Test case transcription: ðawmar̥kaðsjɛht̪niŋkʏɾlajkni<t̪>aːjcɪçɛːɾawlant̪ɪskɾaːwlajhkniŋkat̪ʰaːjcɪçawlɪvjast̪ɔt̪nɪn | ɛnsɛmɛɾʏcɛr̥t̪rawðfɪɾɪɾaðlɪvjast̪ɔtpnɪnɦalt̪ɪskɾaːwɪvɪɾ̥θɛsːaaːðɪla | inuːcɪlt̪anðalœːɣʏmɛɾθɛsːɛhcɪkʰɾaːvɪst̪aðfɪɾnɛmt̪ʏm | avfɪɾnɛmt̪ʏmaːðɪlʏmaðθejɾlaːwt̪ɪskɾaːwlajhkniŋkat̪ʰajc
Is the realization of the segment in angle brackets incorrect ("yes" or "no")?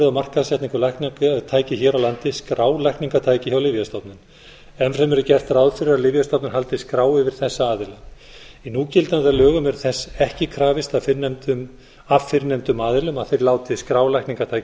yes